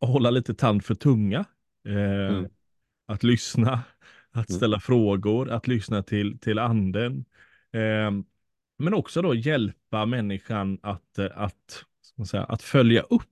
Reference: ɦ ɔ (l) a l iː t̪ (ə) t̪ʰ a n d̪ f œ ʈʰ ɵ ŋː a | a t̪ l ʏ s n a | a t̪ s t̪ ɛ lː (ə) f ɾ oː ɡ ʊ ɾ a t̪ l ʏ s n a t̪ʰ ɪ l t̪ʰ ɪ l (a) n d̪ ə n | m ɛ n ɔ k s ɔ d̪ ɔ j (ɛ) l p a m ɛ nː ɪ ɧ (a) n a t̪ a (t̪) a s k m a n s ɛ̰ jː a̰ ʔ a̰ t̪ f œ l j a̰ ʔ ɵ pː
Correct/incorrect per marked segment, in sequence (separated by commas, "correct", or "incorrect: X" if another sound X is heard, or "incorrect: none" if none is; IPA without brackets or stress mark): incorrect: lː, correct, incorrect: a, correct, correct, correct, correct